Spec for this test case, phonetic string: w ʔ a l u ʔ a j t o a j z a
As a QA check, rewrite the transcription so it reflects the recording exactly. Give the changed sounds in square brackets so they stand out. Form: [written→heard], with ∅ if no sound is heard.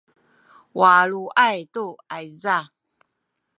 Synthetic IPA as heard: w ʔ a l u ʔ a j t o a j z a